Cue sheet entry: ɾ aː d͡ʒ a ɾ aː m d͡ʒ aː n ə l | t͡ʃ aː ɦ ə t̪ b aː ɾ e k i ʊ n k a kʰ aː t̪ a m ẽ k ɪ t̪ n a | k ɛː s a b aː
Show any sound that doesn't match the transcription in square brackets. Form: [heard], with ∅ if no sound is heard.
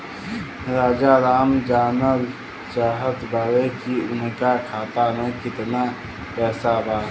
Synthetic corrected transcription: ɾ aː d͡ʒ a ɾ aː m d͡ʒ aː n ə l | t͡ʃ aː ɦ ə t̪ b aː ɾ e k i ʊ n k a kʰ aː t̪ a m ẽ k ɪ t̪ n a | [p] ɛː s a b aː